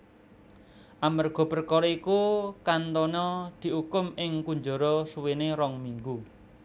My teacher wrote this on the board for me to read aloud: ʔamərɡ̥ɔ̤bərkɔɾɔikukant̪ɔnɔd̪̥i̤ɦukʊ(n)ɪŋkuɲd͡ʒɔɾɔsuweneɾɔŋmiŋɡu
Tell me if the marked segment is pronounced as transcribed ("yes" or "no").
no